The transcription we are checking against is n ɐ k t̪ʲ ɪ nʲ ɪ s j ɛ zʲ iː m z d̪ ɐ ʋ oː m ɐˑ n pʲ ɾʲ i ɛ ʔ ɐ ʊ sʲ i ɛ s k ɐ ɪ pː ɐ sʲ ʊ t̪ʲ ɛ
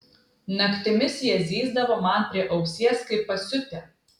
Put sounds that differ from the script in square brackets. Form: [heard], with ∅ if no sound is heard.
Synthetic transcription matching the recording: n ɐ k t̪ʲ ɪ [mʲ] ɪ s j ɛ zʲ iː [∅] z d̪ ɐ ʋ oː m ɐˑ n pʲ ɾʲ i ɛ ʔ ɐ ʊ sʲ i ɛ s k ɐ ɪ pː ɐ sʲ ʊ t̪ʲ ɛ